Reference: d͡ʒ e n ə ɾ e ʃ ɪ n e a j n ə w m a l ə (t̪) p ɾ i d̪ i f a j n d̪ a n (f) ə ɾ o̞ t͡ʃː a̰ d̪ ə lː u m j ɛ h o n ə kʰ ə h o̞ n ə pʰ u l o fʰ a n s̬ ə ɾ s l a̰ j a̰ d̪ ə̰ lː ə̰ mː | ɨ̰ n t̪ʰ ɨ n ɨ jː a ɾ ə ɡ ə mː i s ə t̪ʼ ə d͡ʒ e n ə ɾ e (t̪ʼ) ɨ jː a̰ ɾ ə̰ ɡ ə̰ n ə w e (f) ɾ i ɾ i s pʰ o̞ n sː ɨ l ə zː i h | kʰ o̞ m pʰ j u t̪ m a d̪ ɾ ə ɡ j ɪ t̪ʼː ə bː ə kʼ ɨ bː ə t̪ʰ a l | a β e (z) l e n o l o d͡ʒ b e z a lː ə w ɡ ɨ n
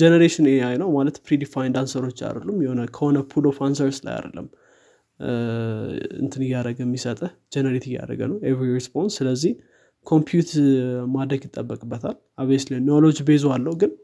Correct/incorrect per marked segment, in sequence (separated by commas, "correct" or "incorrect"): correct, incorrect, incorrect, incorrect, incorrect